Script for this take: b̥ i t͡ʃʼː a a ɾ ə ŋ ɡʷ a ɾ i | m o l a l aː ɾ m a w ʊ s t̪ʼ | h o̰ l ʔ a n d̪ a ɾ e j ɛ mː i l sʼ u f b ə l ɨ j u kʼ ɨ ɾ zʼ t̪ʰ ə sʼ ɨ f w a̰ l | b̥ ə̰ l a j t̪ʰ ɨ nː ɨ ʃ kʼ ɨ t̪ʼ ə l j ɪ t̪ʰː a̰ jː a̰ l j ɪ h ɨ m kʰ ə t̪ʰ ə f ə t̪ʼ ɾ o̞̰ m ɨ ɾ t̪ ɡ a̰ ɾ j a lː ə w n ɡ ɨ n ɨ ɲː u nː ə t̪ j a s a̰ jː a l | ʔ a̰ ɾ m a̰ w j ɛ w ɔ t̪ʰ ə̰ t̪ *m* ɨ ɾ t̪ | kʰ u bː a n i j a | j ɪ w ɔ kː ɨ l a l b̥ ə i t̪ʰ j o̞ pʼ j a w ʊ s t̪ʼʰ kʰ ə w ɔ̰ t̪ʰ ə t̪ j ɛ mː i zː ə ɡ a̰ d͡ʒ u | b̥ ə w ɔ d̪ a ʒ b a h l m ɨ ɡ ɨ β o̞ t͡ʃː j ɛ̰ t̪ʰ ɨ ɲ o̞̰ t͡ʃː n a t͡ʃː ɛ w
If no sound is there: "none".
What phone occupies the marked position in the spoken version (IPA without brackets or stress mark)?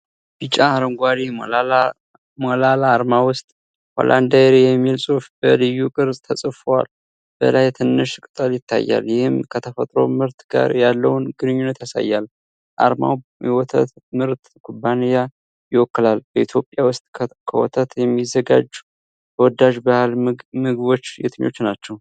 m